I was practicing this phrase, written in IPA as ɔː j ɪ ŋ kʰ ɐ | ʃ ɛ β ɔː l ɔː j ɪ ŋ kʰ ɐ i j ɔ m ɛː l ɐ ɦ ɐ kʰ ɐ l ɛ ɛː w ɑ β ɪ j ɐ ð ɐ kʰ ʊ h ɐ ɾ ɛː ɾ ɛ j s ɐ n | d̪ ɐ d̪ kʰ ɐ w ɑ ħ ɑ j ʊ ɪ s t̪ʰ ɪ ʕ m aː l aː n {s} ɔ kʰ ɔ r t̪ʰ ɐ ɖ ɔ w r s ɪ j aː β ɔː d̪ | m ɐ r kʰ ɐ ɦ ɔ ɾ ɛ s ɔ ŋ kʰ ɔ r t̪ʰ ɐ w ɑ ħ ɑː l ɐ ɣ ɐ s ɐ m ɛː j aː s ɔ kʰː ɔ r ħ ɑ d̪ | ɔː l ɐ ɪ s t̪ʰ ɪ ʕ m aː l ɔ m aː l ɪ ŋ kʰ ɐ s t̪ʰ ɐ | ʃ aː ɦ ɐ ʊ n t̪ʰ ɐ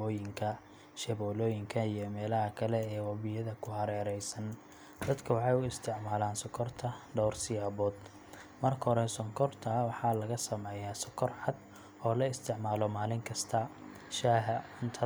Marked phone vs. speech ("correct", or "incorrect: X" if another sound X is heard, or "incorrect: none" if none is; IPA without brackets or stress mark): correct